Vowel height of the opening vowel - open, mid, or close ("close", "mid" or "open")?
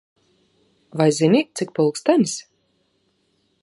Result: open